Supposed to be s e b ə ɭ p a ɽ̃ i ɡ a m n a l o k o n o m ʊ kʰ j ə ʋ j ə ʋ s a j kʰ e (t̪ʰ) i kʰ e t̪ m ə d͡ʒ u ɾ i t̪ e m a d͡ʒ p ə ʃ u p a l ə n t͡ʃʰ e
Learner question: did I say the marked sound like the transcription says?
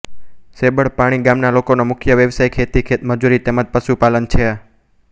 no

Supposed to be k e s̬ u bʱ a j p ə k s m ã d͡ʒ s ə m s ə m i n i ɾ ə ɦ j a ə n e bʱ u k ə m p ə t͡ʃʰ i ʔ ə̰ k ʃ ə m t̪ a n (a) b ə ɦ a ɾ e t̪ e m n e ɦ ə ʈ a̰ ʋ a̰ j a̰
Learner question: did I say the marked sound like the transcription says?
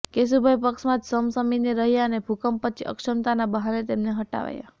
yes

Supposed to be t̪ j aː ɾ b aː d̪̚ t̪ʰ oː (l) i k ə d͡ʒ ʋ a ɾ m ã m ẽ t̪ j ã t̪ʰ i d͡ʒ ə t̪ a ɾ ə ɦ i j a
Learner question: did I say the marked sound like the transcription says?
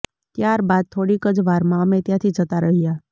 no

